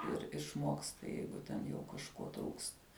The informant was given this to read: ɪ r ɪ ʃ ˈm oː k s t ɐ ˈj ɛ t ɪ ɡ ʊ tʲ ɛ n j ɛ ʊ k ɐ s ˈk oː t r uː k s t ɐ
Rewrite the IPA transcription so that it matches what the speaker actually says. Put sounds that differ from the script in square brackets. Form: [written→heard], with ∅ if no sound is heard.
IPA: ɪ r ɪ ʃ ˈm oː k s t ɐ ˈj ɛ [t→∅] ɪ ɡ ʊ tʲ ɛ n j ɛ ʊ k ɐ [s→ʃ] ˈk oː t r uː k s t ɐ